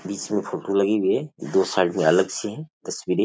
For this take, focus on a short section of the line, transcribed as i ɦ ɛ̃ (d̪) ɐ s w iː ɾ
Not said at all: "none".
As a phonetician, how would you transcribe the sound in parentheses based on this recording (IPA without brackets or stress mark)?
t̪